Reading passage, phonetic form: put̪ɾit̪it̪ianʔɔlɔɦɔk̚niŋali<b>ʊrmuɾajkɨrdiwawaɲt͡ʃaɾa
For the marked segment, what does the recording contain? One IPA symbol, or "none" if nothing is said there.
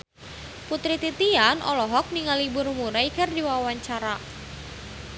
b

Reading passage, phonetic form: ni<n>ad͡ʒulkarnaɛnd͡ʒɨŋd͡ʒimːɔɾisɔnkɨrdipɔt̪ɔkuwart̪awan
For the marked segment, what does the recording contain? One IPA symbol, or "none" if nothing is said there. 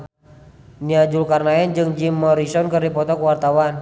none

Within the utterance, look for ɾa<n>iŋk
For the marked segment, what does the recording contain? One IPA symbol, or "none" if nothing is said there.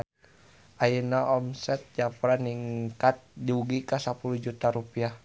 n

